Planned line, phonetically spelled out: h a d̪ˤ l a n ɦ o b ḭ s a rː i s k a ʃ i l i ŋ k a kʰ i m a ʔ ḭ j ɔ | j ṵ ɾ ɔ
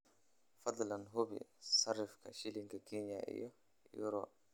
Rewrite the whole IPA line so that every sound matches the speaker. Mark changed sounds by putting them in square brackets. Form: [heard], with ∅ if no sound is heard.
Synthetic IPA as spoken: [f] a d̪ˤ l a n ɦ o b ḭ s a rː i [f] k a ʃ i l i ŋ k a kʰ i [ɲ] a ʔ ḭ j ɔ | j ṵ ɾ ɔ